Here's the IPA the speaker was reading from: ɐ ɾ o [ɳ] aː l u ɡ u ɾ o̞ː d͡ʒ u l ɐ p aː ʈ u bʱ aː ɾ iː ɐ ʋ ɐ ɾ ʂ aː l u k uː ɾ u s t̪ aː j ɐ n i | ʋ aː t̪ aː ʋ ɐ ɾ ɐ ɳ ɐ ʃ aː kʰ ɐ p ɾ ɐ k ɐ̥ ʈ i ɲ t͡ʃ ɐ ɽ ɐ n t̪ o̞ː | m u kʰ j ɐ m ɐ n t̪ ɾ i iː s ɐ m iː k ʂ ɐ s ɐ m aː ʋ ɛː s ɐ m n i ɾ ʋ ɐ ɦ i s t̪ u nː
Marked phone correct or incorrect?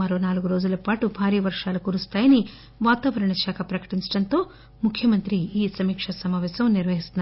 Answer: incorrect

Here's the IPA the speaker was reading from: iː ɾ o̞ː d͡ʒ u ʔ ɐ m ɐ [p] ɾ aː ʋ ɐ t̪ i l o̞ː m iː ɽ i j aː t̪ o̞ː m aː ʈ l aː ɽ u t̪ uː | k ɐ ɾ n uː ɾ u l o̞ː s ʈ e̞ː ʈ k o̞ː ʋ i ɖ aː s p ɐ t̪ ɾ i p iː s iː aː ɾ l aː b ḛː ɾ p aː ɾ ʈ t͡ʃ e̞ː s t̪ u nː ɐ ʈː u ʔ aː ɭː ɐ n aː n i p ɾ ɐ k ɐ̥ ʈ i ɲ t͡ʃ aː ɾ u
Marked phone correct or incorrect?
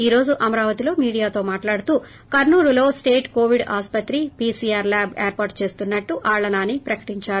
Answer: incorrect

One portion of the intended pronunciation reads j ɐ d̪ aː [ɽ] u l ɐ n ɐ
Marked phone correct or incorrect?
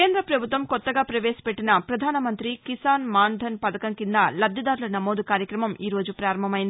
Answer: incorrect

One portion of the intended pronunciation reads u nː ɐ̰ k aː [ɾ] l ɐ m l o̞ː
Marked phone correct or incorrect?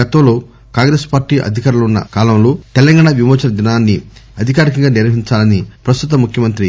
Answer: incorrect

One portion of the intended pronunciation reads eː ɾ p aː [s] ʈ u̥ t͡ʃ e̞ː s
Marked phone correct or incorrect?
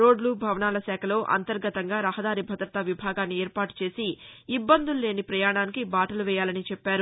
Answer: incorrect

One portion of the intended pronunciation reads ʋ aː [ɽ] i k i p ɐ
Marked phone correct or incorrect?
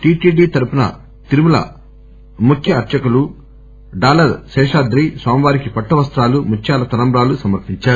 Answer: incorrect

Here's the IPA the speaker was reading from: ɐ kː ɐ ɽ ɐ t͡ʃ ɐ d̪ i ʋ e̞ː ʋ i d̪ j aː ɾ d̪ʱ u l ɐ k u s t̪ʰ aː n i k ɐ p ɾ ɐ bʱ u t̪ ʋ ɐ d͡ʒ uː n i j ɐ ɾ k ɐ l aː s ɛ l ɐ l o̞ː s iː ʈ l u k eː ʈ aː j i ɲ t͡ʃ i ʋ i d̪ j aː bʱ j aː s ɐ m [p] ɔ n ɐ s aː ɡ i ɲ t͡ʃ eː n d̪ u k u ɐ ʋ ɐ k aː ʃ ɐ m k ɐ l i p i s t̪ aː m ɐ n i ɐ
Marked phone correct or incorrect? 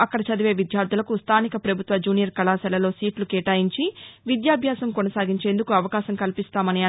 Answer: incorrect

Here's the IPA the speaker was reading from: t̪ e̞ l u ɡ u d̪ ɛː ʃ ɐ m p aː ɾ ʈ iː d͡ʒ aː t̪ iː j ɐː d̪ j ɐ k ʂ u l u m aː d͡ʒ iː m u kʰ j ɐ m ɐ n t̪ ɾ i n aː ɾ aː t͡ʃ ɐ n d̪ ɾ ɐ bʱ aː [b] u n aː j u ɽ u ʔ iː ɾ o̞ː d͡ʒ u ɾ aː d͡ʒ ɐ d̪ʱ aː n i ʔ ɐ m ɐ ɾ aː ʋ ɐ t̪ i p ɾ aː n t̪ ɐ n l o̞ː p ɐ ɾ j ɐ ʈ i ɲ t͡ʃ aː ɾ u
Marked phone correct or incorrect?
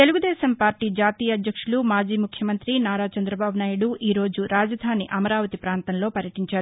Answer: correct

